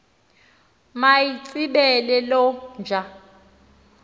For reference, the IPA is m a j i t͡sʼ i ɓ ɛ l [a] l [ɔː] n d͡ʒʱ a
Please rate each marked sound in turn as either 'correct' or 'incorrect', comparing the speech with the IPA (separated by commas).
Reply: incorrect, incorrect